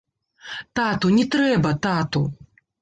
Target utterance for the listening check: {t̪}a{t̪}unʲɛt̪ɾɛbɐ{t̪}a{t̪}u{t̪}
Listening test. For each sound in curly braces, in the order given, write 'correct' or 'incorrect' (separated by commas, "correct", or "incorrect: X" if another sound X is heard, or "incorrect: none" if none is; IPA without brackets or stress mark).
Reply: correct, correct, correct, correct, incorrect: none